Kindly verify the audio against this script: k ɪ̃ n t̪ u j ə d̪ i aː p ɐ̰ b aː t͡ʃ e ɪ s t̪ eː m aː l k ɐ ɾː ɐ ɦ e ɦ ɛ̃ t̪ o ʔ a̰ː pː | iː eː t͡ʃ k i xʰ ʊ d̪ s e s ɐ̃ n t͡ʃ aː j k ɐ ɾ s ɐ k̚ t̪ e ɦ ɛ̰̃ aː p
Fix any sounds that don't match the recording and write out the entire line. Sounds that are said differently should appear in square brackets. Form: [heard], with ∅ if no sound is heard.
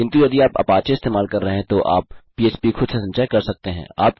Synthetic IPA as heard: k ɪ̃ n t̪ u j [ɐ] d̪ i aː p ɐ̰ [p] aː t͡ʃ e ɪ s t̪ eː m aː l k ɐ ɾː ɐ ɦ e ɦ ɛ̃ t̪ o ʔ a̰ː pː | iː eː t͡ʃ [p] i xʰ ʊ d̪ s e s ɐ̃ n t͡ʃ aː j k ɐ ɾ s ɐ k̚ t̪ e ɦ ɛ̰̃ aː p

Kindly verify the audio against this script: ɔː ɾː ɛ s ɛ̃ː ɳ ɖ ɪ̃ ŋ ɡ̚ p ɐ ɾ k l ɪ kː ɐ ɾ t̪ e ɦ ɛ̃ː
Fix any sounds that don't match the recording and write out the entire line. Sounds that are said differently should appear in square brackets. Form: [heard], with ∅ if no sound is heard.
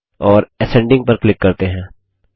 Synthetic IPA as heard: ɔː [ɾ] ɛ s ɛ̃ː ɳ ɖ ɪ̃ ŋ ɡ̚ p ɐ ɾ k l ɪ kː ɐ ɾ t̪ e ɦ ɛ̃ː

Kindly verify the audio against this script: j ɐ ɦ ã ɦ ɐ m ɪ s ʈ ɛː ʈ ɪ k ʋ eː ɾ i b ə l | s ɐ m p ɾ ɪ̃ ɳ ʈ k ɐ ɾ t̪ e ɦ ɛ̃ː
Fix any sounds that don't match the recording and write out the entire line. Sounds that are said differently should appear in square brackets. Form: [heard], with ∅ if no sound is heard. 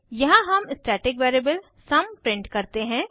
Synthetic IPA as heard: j ɐ ɦ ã ɦ ɐ m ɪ s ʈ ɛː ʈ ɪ k ʋ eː ɾ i b ə l | s ɐ m p ɾ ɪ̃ ɳ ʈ k ɐ ɾ t̪ e ɦ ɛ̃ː

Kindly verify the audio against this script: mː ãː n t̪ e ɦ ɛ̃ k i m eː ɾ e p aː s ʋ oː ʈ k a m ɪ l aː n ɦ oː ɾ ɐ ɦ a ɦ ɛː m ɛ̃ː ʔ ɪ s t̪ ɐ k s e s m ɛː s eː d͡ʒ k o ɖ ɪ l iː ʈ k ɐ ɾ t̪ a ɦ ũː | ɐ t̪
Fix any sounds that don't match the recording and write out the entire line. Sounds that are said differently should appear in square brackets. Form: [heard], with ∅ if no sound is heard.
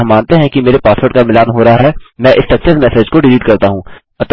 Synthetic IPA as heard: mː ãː n t̪ e ɦ ɛ̃ k i m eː ɾ e p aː s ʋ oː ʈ k a m ɪ l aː n ɦ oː ɾ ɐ ɦ a ɦ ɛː m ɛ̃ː ʔ ɪ s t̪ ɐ k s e s m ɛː s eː d͡ʒ k o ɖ ɪ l iː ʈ k ɐ ɾ t̪ a ɦ ũː | ɐ t̪

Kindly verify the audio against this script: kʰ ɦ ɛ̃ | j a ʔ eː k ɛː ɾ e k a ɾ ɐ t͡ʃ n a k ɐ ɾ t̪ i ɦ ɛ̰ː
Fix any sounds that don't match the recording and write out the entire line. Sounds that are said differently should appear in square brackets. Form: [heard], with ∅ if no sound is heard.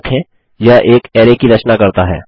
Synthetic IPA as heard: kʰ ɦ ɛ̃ | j a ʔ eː k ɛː ɾ e k [i] ɾ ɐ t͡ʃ n a k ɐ ɾ t̪ [a] ɦ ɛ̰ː

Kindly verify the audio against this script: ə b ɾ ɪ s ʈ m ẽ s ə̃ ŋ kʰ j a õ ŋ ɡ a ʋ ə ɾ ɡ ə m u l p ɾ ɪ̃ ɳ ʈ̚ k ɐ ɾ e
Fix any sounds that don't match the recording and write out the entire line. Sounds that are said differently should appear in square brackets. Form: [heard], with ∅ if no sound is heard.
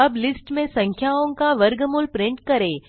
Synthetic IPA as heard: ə b [l] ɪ s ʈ m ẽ s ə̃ ŋ kʰ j a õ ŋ [k] a ʋ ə ɾ ɡ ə m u l p ɾ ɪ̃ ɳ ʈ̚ k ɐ ɾ e

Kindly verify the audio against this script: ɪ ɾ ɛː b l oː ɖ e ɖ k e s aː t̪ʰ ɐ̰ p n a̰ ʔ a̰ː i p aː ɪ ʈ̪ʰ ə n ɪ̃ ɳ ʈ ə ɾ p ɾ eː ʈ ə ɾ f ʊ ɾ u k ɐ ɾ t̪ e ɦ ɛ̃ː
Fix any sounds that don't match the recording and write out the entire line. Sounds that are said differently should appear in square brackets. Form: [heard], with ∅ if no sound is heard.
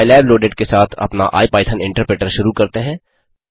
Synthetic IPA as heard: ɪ [l] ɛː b l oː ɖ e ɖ k e s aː t̪ʰ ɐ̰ p n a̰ ʔ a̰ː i p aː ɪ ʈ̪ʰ ə n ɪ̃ ɳ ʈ ə ɾ p ɾ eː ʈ ə ɾ [ʃ] ʊ ɾ u k ɐ ɾ t̪ e ɦ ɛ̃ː

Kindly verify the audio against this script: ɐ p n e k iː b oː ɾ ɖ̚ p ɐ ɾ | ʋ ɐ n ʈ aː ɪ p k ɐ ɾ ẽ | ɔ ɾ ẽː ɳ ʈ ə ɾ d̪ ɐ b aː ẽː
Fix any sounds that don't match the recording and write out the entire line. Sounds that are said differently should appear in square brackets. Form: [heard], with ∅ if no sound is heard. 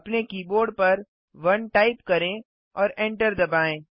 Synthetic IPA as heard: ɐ p n e k iː b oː ɾ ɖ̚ p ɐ ɾ | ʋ ɐ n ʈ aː ɪ p k ɐ ɾ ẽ | [ɔː] ɾ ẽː ɳ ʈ ə ɾ d̪ ɐ b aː ẽː

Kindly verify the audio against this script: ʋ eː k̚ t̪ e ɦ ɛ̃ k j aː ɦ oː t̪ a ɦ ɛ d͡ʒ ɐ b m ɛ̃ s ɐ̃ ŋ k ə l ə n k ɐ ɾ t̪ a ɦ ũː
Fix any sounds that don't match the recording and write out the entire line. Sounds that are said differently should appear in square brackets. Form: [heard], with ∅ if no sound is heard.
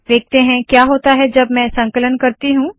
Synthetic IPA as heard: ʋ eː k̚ t̪ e ɦ ɛ̃ k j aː ɦ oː t̪ a ɦ ɛ d͡ʒ ɐ b m ɛ̃ s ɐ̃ ŋ k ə l ə n k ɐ ɾ t̪ [i] ɦ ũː

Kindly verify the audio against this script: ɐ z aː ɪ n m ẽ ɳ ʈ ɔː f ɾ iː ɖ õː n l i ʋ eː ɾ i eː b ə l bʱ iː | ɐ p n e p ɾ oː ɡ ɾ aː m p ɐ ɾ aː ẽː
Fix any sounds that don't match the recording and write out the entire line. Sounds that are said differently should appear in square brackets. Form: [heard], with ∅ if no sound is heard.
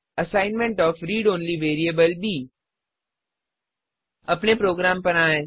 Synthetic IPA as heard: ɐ [s] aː ɪ n m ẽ ɳ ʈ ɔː f ɾ iː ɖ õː n l i ʋ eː ɾ i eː b ə l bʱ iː | ɐ p n e p ɾ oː ɡ ɾ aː m p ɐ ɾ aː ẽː

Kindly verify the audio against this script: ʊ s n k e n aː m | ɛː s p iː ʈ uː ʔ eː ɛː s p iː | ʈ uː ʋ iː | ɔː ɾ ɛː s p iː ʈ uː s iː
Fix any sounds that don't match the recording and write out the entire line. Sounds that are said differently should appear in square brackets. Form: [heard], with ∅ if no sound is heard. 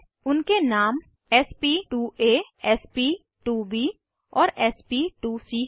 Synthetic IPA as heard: ʊ [∅] n k e n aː m | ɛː s p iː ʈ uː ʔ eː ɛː s p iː | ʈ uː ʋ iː | ɔː ɾ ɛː s p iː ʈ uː s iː

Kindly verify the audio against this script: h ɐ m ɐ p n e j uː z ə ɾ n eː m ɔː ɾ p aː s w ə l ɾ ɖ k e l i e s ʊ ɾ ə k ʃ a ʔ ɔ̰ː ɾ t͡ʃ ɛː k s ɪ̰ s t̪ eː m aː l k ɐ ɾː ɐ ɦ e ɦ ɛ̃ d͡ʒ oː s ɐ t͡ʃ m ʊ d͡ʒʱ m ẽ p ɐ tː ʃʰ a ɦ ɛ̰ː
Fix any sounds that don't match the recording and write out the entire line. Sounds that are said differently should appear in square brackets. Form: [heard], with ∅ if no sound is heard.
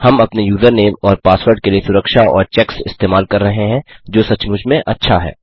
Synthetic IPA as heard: h ɐ m ɐ p n e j uː z ə ɾ n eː m ɔː ɾ p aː s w ə [∅] ɾ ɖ k e l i e s ʊ ɾ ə k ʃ a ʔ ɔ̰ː ɾ t͡ʃ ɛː k s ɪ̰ s t̪ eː m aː l k ɐ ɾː ɐ ɦ e ɦ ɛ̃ d͡ʒ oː s ɐ t͡ʃ m ʊ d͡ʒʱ m ẽ [ʔ] ɐ tː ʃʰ a ɦ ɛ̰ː

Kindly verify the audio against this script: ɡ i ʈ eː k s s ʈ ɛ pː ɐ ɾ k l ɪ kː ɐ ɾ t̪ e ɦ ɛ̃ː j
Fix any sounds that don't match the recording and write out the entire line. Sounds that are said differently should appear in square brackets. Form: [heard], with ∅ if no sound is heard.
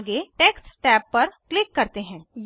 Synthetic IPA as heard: ɡ [e] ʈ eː k s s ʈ [ɛː] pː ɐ ɾ k l ɪ kː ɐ ɾ t̪ e ɦ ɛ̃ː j

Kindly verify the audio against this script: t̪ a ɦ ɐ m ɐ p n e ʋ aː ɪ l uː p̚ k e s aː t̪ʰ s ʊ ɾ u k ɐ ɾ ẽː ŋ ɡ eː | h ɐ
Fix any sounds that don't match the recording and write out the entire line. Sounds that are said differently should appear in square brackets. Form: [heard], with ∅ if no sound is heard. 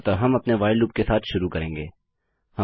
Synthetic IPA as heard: t̪ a ɦ ɐ m ɐ p n e ʋ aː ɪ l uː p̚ k e s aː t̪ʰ [ʃ] ʊ ɾ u k ɐ ɾ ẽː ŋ ɡ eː | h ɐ

